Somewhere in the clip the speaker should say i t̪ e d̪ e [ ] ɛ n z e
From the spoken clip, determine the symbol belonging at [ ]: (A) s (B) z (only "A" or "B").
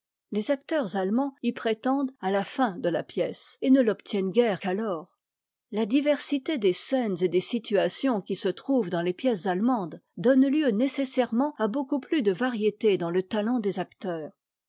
A